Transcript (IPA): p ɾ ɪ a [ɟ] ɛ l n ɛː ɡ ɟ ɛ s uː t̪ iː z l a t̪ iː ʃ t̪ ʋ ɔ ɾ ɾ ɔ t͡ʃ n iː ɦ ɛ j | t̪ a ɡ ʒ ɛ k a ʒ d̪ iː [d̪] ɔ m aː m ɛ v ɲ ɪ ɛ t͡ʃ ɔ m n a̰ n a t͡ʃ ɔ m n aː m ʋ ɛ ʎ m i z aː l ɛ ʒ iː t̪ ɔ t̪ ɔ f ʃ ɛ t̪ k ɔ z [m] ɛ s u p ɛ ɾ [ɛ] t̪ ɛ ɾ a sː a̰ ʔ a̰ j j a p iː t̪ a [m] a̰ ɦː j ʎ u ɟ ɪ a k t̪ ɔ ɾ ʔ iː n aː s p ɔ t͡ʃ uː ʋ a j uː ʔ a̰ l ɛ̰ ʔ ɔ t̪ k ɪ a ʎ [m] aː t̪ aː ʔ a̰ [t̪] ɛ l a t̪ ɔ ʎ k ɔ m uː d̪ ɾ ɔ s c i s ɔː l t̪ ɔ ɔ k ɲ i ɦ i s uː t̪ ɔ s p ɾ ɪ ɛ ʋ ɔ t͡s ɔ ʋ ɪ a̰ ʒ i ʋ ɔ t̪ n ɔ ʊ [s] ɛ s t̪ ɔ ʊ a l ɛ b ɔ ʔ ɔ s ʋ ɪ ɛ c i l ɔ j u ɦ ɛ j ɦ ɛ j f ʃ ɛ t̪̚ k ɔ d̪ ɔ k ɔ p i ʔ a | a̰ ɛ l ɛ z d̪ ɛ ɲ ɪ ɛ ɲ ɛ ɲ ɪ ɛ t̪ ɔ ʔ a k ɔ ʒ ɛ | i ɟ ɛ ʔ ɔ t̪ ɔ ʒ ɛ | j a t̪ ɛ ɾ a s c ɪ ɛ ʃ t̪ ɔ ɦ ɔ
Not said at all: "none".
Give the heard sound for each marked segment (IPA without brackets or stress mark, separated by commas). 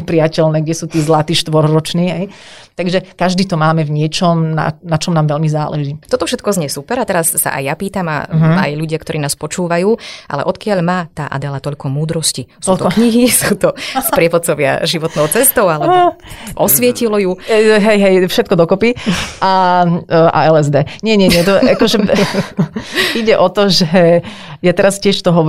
c, t̪, ɲ, a, m, m, d̪, t͡s